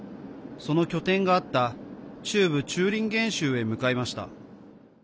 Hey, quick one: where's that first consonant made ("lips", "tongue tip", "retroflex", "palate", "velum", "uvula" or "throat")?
tongue tip